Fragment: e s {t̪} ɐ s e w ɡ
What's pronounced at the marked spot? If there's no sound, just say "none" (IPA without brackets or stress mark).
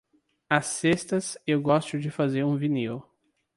t̪